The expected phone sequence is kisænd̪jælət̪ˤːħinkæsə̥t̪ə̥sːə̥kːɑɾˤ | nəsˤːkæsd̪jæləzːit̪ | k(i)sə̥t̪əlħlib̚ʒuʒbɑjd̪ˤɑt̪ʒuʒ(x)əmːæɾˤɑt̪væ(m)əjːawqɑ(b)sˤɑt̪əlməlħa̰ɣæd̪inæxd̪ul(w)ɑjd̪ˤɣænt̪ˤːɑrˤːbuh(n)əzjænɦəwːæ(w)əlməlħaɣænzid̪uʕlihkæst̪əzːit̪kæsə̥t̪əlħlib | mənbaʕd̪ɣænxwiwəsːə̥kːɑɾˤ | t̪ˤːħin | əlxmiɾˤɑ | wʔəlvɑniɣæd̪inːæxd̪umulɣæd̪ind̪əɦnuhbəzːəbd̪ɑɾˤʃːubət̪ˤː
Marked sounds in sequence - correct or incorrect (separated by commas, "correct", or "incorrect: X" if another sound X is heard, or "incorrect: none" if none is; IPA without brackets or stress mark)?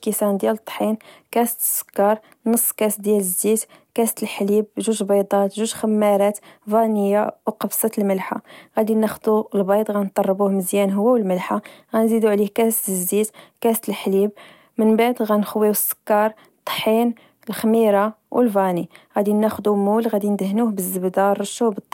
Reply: incorrect: æ, correct, incorrect: n, correct, incorrect: b, incorrect: m, correct